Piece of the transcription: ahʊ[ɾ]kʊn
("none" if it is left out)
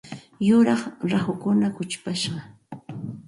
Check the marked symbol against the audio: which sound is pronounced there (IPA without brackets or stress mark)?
none